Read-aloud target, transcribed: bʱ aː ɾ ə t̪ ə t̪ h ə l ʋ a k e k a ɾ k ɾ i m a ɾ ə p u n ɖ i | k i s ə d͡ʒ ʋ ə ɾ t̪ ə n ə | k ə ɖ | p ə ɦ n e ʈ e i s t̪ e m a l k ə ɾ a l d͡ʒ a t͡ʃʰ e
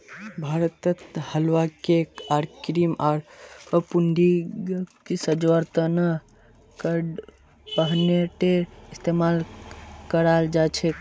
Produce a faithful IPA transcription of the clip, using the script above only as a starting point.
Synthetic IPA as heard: bʱ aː ɾ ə t̪ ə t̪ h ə l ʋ a k e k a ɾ k ɾ i m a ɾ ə p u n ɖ i | k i s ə d͡ʒ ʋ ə ɾ t̪ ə n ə | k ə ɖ | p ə ɦ n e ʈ e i s t̪ e m a l k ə ɾ a l d͡ʒ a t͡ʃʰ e